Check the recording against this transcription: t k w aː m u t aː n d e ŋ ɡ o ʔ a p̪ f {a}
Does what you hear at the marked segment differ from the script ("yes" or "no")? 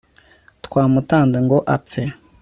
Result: yes